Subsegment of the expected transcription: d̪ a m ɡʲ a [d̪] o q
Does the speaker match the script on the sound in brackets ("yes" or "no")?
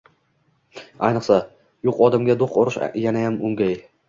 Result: yes